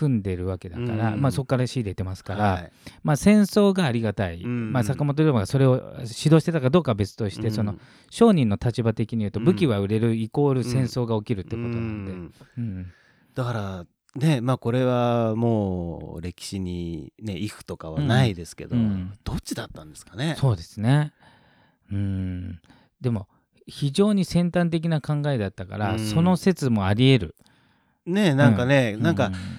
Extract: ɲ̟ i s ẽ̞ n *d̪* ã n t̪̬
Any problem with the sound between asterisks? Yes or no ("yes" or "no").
yes